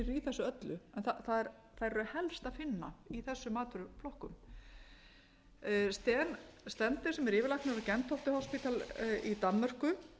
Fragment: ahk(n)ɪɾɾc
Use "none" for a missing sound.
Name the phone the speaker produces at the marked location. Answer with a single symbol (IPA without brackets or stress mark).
n